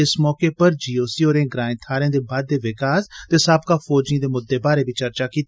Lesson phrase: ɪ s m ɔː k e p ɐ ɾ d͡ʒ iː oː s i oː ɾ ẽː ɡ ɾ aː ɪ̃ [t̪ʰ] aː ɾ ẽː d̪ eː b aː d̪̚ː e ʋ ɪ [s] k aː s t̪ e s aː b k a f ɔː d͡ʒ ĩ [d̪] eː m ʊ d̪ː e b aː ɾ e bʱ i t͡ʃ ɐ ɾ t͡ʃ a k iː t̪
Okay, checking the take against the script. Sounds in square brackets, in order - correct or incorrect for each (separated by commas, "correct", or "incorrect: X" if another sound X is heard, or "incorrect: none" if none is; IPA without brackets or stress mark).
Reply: correct, incorrect: none, correct